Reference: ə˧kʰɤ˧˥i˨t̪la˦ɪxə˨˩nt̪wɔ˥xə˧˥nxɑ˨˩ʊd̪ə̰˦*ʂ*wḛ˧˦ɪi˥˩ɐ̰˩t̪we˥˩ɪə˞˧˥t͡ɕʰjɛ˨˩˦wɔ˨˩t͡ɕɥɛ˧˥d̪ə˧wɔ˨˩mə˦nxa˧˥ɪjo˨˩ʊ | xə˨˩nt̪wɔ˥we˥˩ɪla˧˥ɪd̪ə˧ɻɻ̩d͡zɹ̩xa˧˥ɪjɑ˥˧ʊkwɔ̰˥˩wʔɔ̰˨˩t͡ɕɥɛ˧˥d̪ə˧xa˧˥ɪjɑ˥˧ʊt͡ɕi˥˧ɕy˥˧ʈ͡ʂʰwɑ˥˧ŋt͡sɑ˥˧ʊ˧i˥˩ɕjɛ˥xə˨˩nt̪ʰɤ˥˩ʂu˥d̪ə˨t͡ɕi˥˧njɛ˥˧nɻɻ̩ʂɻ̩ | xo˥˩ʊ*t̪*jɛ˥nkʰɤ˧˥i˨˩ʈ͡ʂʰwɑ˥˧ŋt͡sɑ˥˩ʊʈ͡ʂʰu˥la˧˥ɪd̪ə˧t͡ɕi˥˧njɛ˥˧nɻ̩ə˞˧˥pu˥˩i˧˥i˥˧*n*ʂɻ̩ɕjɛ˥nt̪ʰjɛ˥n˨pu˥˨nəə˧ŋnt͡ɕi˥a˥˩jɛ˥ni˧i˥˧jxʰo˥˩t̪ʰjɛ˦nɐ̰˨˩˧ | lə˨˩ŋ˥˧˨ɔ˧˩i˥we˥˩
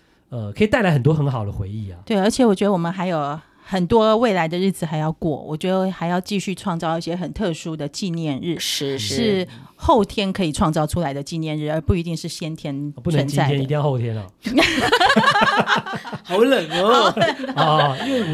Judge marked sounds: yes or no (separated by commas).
no, no, no